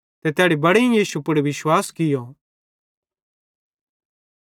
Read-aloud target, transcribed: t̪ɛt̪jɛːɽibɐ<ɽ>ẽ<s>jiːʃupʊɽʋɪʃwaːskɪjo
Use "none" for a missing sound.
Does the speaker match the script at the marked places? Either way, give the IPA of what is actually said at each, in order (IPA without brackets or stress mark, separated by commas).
ɽ, none